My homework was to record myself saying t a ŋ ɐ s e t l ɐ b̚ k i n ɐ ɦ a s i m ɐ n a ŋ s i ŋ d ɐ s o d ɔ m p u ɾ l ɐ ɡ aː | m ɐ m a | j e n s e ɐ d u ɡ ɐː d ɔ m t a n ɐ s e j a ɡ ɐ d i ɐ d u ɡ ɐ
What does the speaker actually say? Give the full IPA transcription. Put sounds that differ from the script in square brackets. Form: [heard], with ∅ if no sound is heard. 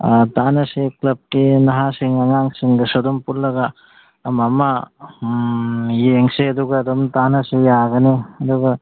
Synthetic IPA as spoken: t a [n] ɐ s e [k] l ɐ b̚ k i n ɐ ɦ a s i [ŋ] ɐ [ŋ] a ŋ s i ŋ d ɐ s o d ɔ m p u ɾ l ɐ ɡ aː | m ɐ m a | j e [ŋ] s e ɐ d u ɡ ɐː d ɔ m t a n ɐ s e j a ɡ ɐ [n] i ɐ d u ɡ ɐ

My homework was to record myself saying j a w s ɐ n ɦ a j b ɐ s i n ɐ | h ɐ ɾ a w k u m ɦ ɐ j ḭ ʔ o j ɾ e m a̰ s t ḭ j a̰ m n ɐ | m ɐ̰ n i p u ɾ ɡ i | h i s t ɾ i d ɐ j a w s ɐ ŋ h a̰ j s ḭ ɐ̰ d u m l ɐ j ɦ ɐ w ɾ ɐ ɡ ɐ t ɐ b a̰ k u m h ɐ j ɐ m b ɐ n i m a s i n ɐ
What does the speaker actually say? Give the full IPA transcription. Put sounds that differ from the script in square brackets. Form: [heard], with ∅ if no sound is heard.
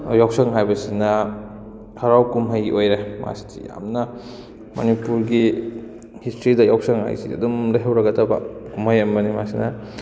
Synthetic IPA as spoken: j a w s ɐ [ŋ] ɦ a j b ɐ s i n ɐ | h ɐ ɾ a w k u m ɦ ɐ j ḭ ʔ o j ɾ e m a̰ s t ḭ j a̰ m n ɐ | m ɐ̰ n i p u ɾ ɡ i | h i s t ɾ i d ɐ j a w s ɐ ŋ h a̰ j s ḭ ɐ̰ d u m l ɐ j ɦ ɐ w ɾ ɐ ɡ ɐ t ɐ b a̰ k u m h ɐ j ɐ m b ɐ n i m a s i n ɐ

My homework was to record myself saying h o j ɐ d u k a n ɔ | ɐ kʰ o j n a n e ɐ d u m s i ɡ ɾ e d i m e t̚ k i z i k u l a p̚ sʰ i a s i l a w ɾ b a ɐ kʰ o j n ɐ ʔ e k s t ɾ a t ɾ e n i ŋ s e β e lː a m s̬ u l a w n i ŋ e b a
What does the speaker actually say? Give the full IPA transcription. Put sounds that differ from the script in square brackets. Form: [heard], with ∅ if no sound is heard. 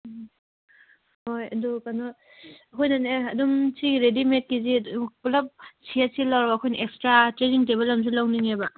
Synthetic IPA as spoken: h o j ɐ d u k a n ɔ | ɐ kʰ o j n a n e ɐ d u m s i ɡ ɾ e d i m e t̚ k i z i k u l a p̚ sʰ i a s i l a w ɾ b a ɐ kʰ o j n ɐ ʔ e k s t ɾ a t ɾ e n i ŋ [t] e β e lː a m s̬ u l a w n i ŋ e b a

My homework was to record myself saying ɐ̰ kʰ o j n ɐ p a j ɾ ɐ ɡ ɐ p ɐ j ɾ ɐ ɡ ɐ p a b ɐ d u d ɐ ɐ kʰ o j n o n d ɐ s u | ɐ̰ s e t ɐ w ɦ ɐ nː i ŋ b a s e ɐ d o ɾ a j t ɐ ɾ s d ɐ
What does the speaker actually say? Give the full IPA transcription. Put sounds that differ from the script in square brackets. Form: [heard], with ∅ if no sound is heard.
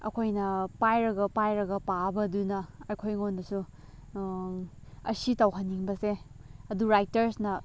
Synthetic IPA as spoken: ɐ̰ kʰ o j n ɐ p a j ɾ ɐ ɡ ɐ p [a] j ɾ ɐ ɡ ɐ p a b ɐ d u [n] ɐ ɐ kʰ o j [ŋ] o n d ɐ s u | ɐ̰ s [i] t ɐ w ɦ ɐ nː i ŋ b [ɐ] s e ɐ d [u] ɾ a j t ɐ ɾ s [n] ɐ

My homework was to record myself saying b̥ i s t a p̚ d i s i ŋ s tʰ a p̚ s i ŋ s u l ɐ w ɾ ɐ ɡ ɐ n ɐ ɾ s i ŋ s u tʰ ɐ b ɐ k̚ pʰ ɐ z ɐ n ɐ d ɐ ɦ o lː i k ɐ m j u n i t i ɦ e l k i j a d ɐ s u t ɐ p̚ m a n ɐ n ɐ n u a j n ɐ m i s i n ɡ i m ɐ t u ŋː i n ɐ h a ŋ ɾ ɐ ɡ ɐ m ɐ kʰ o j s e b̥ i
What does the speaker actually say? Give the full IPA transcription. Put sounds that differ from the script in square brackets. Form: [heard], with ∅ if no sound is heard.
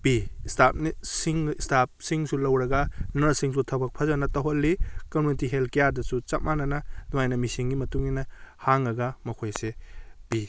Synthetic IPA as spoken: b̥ i s t a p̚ [n] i s i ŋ s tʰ a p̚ s i ŋ s u l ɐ w ɾ ɐ ɡ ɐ n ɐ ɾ s i ŋ s u tʰ ɐ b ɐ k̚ pʰ ɐ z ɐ n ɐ [t] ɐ ɦ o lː i k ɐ m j u n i t i ɦ e l k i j a d ɐ s u [t͡ʃ] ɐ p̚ m a n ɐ n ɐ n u a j n ɐ m i s i [ŋ] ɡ i m ɐ t u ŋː i n ɐ h a ŋ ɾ ɐ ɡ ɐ m ɐ kʰ o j s e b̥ i

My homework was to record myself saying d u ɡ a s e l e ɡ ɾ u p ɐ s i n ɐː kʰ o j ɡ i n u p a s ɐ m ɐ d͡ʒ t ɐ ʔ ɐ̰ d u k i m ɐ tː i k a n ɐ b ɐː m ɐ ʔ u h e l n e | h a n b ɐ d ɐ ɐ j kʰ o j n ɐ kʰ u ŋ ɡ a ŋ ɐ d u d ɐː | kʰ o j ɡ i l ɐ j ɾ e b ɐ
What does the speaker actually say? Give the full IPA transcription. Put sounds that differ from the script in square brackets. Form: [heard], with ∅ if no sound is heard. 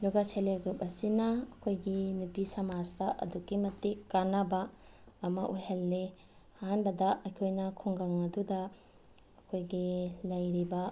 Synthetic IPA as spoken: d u ɡ a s e l e ɡ ɾ u p ɐ s i n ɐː kʰ o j ɡ i n u p [i] s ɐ m [a] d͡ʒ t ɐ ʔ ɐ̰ d u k i m ɐ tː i k a n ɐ b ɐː m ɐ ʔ u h e l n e | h a n b ɐ d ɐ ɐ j kʰ o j n ɐ kʰ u ŋ ɡ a ŋ ɐ d u d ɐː | kʰ o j ɡ i l ɐ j ɾ [i] b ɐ

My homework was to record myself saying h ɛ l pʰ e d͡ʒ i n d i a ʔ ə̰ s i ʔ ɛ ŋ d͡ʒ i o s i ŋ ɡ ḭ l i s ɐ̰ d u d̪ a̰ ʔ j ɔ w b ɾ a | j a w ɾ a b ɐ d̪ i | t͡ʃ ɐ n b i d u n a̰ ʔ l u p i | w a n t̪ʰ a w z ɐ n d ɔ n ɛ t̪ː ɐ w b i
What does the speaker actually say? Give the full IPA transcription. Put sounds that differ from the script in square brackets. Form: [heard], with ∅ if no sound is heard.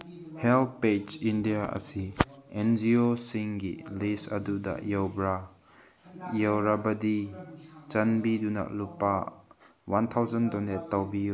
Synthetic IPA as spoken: h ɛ l [p] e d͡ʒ i n d i a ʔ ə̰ s i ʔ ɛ [n] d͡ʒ i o s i ŋ ɡ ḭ l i s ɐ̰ d u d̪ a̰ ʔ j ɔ w b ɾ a | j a w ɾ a b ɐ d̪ i | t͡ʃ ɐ n b i d u n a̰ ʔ l u p [a] | w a n t̪ʰ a w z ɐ n d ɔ n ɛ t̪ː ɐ w b i

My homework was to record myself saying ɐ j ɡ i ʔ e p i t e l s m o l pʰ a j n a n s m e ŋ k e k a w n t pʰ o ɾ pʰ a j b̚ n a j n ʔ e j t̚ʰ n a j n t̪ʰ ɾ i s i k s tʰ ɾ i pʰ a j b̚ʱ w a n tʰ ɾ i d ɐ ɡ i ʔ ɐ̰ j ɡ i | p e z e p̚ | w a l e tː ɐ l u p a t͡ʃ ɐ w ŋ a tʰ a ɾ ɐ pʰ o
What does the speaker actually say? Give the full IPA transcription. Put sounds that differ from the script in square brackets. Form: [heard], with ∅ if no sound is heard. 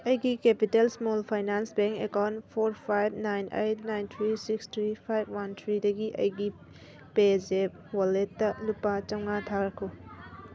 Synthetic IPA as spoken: ɐ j ɡ i [k] e p i t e l s m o l pʰ a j n a n s [b] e ŋ k e k a w n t pʰ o ɾ pʰ a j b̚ n a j n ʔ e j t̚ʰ n a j n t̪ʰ ɾ i s i k s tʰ ɾ i pʰ a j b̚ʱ w a n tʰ ɾ i d ɐ ɡ i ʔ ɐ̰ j ɡ i | p e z e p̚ | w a l e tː ɐ l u p a t͡ʃ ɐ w ŋ a tʰ a ɾ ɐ [kʰ] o

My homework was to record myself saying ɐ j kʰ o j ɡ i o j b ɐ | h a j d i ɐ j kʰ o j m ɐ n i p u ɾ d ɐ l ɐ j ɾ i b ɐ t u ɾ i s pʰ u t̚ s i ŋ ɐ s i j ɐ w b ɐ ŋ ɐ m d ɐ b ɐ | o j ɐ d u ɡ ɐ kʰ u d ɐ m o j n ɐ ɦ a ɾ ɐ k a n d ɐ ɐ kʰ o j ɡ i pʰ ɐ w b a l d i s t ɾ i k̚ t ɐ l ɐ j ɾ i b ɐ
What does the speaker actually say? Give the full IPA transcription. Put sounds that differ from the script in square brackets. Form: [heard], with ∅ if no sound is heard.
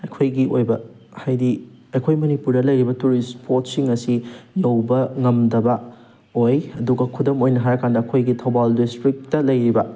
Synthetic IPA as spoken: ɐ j kʰ o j ɡ i o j b ɐ | h a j d i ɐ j kʰ o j m ɐ n i p u ɾ d ɐ l ɐ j ɾ i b ɐ t u ɾ i s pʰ [o] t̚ s i ŋ ɐ s i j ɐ w b ɐ ŋ ɐ m d ɐ b ɐ | o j ɐ d u ɡ ɐ kʰ u d ɐ m o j n ɐ ɦ a ɾ ɐ k a n d ɐ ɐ kʰ o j ɡ i [tʰ] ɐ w b a l d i s t ɾ i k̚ t ɐ l ɐ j ɾ i b ɐ

